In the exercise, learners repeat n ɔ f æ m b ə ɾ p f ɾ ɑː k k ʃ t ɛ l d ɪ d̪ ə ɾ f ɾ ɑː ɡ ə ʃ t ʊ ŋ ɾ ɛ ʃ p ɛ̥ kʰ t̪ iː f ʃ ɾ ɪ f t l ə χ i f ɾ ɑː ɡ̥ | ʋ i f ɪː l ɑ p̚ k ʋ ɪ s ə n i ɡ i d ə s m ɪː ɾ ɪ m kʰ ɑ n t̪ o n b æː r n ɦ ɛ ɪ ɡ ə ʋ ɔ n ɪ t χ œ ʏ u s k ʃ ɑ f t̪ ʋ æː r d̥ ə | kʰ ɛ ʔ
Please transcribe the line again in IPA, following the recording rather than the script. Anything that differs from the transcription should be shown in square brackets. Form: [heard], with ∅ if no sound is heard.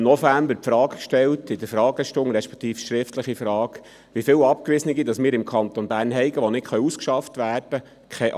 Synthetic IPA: n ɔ f æ m b ə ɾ p f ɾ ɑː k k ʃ t ɛ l [t] ɪ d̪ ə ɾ f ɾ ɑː ɡ ə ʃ t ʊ ŋ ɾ ɛ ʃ p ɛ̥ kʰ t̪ iː f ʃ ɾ ɪ f t l ə χ i f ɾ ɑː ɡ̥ | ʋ i f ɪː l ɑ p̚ k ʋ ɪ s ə n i ɡ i d [ɑ] s m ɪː ɾ ɪ m kʰ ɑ n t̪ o n b æː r n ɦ ɛ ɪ ɡ ə ʋ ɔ n ɪ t χ œ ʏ u s k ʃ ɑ f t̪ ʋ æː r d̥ ə | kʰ ɛ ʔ